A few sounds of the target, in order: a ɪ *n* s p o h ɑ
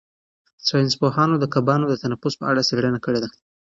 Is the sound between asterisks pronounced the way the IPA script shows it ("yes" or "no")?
yes